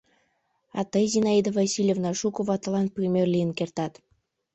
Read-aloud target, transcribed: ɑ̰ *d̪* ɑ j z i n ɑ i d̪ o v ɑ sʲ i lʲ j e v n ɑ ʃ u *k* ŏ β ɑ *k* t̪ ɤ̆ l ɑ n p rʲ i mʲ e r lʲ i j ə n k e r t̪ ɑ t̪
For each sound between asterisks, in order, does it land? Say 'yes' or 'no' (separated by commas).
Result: no, yes, no